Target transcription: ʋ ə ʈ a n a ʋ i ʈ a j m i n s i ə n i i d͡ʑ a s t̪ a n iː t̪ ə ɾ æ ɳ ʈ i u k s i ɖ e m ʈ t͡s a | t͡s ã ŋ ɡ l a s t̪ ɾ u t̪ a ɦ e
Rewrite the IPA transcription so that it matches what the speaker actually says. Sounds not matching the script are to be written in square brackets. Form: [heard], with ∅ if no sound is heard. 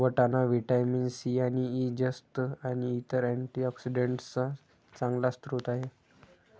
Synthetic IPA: ʋ ə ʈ a n a ʋ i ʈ a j m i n s i [a] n i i d͡ʑ [ə] s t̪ a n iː t̪ ə ɾ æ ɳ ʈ i [ɔ] k s i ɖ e [ɳ] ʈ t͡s a | t͡s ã ŋ ɡ l a s t̪ ɾ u t̪ a ɦ e